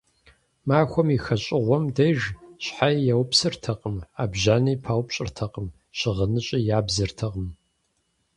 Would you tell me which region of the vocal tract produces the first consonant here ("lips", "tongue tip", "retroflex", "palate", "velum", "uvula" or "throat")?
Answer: lips